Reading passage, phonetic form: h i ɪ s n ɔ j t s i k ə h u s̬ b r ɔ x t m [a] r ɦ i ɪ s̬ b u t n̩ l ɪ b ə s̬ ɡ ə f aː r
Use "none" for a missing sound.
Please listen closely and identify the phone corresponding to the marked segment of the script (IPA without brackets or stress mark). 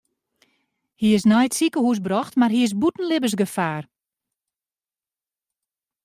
a